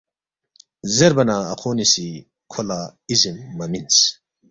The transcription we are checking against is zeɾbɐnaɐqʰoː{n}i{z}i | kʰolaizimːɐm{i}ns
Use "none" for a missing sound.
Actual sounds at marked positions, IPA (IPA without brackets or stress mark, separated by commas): n, s, i